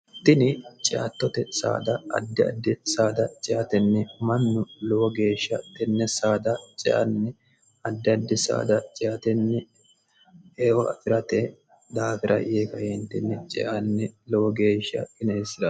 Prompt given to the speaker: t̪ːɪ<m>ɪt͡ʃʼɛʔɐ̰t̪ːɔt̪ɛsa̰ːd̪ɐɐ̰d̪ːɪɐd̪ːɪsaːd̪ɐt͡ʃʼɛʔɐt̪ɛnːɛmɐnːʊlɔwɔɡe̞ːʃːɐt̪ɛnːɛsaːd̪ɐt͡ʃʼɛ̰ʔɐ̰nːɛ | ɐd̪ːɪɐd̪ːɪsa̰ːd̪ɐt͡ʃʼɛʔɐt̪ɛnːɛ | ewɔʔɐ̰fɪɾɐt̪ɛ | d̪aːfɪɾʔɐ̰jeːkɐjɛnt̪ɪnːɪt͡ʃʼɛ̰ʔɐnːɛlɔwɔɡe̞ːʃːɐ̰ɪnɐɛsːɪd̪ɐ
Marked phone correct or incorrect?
incorrect